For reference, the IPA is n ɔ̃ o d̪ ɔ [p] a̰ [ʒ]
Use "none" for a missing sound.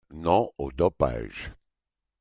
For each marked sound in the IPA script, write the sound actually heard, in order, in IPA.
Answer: p, ʒ

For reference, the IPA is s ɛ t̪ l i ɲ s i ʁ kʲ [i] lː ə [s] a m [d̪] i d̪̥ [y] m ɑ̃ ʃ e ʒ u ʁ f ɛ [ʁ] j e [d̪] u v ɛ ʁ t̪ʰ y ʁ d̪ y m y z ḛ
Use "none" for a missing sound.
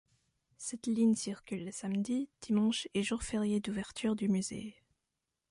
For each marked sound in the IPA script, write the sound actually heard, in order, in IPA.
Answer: y, s, d̪, i, ʁ, d̪

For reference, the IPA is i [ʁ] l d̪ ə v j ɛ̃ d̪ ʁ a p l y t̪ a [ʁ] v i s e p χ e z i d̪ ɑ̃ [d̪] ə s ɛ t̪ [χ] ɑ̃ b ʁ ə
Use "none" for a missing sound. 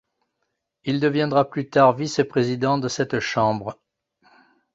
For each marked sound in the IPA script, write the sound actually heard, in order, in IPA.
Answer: none, ʁ, d̪, ʃ

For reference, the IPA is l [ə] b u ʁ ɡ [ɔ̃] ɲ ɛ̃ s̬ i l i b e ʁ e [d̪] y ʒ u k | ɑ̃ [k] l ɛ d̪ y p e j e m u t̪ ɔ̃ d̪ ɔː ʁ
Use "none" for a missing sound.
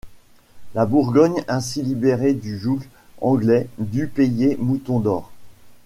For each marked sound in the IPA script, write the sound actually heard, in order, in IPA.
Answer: a, ɔ, d̪, ɡ

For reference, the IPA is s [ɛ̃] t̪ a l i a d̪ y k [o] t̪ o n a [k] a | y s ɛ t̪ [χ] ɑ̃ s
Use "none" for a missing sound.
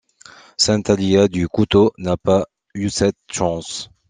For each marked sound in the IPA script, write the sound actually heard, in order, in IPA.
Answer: ɛ̃, u, p, ʃ

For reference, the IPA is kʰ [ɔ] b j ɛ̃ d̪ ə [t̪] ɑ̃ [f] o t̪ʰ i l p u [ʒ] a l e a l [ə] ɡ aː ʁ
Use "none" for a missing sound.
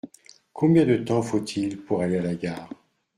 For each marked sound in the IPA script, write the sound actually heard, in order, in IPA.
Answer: ɔ̃, t̪, f, ʁ, a

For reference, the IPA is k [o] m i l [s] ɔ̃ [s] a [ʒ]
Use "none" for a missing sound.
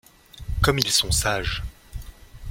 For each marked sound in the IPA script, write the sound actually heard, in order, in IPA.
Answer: ɔ, s, s, ʒ

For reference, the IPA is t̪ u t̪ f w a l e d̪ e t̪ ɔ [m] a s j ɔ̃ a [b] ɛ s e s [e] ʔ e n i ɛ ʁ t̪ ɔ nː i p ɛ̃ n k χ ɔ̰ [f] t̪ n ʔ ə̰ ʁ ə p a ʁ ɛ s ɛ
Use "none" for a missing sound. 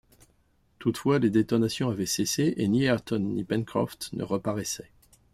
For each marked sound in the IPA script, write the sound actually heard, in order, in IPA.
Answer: n, v, e, f

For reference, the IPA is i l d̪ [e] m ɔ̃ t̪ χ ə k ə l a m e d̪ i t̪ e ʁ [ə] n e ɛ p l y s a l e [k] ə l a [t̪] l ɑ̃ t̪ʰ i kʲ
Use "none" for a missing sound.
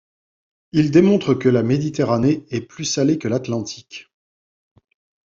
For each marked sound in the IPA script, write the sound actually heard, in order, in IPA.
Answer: e, a, k, t̪

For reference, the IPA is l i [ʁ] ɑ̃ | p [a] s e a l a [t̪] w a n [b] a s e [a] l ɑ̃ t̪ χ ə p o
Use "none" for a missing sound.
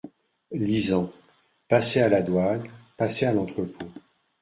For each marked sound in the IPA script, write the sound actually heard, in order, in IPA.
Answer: z, a, d̪, p, a

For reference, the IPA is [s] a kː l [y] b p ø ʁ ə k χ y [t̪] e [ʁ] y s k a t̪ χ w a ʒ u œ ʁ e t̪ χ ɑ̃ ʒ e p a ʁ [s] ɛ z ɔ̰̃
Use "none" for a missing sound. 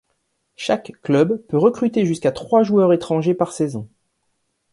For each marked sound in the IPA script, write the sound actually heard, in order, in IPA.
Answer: ʃ, œ, t̪, ʒ, s

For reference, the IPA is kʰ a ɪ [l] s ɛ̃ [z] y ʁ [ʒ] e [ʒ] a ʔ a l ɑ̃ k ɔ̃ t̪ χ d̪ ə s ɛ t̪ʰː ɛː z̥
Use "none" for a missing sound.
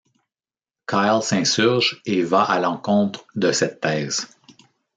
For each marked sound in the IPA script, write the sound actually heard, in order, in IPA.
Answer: l, s, ʒ, v

